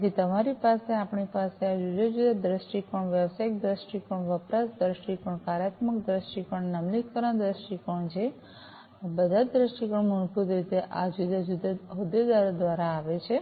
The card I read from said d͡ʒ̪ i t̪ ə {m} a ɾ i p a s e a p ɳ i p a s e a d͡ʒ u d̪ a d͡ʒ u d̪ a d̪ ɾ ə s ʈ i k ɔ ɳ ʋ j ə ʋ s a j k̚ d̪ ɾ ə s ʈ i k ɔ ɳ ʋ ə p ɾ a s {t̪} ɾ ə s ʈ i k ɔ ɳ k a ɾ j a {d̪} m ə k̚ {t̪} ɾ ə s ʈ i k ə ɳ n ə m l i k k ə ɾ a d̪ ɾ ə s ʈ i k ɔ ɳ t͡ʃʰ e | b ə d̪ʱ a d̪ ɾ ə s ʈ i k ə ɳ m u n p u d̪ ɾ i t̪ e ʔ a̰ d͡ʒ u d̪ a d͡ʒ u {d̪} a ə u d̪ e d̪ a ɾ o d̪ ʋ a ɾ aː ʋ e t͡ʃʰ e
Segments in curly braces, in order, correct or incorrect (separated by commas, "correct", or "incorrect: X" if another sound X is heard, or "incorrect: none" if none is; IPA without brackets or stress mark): correct, incorrect: d̪, incorrect: t̪, incorrect: d̪, correct